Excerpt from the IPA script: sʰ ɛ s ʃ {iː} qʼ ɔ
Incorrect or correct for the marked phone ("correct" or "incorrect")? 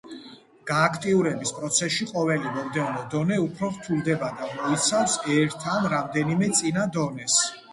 incorrect